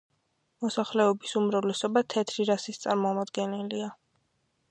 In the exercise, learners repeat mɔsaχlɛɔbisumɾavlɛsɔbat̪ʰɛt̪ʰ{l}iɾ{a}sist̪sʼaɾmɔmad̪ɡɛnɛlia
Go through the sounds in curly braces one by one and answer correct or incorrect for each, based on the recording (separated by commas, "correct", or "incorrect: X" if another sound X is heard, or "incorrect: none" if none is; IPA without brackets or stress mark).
incorrect: ɾ, correct